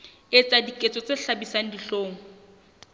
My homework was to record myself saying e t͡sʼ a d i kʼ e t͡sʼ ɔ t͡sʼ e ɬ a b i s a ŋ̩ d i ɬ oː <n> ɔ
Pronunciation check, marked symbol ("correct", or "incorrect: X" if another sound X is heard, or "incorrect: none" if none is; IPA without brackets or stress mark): incorrect: ŋ